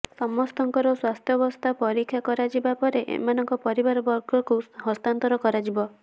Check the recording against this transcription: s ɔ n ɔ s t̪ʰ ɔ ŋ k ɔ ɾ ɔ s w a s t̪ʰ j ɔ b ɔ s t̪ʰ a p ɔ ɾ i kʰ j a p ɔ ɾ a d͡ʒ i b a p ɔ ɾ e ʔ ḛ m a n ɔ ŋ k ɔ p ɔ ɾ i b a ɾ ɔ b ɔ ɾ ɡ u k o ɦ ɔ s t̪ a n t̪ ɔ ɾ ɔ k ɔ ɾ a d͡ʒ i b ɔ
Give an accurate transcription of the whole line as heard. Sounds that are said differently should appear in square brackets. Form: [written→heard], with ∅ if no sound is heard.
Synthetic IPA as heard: s ɔ [n→m] ɔ s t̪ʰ ɔ ŋ k ɔ ɾ ɔ s w a s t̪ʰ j ɔ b ɔ s t̪ʰ a p ɔ ɾ i kʰ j a [p→k] ɔ ɾ a d͡ʒ i b a p ɔ ɾ e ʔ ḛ m a n ɔ ŋ k ɔ p ɔ ɾ i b a ɾ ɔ b ɔ ɾ ɡ [u→ɔ] k [o→u] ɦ ɔ s t̪ a n t̪ ɔ ɾ ɔ k ɔ ɾ a d͡ʒ i b ɔ